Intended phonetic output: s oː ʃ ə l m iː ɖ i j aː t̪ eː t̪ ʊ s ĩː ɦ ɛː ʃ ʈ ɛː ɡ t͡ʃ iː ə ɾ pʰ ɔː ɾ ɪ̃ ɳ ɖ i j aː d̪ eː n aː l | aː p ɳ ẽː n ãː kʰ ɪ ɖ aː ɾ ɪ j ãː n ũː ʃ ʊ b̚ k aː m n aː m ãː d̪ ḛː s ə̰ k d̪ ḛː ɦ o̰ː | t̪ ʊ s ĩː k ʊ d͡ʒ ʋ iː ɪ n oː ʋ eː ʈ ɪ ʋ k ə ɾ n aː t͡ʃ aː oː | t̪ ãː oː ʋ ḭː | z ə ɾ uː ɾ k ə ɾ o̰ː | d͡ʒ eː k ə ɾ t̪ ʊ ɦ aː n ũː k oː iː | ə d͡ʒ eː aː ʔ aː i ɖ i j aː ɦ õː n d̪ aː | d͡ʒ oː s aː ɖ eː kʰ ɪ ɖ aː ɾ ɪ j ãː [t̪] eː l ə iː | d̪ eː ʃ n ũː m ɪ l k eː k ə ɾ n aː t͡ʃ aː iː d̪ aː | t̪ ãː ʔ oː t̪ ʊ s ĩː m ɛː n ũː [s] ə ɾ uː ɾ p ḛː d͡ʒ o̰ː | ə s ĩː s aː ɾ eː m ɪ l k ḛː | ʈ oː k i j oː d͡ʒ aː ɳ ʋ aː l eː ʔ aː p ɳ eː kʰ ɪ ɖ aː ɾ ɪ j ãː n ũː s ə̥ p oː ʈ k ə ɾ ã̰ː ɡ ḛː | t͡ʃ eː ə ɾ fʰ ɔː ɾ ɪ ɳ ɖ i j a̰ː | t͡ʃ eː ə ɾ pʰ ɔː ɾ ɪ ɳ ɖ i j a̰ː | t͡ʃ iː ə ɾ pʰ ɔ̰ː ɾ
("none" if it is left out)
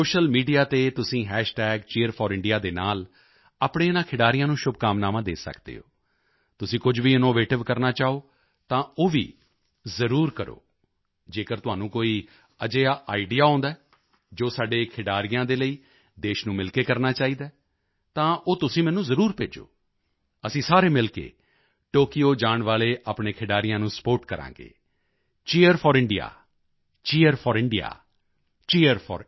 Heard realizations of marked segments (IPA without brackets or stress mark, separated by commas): d̪, z